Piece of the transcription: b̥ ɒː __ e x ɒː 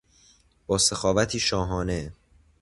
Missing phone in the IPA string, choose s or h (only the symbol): s